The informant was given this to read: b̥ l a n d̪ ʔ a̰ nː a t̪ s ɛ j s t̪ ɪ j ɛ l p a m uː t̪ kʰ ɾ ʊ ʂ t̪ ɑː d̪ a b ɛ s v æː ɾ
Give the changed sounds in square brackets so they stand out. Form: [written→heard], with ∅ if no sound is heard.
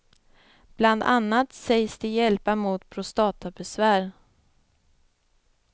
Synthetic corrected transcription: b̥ l a n d̪ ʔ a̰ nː a t̪ s ɛ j s [t̪→d̪] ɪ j ɛ l p a m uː t̪ [kʰ→pʰ] ɾ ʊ [ʂ→s] t̪ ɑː [d̪→t̪] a b ɛ s v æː ɾ